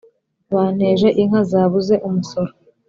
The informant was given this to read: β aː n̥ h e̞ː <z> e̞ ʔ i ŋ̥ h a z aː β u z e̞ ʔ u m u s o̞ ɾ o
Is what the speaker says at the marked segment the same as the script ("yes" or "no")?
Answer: no